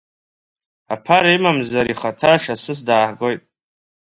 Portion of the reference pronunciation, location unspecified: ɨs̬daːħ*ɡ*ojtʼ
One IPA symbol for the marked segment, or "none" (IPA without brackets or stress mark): ɡ